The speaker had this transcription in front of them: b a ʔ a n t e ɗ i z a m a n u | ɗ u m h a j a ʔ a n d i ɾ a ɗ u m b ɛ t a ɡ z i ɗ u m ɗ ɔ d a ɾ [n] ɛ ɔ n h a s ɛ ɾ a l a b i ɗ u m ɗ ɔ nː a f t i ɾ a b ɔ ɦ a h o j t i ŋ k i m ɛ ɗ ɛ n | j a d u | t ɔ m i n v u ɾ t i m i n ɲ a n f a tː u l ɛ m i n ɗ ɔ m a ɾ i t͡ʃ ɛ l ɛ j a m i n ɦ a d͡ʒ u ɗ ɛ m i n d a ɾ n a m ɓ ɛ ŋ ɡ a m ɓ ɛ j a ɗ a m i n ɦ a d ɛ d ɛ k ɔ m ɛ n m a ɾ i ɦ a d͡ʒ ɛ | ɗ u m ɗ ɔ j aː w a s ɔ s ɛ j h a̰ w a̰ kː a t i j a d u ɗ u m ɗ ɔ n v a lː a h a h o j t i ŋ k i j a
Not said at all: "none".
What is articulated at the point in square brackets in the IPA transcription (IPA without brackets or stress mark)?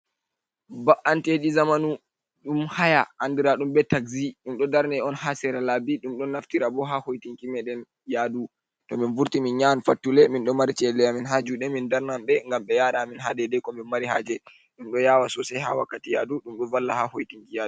n